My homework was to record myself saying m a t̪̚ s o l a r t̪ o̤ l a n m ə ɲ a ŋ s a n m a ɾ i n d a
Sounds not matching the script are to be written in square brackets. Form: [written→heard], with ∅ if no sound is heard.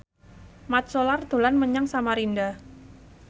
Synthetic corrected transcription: m a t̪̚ s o l a r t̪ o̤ l a n m ə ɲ a ŋ s a [n→∅] m a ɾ i n d a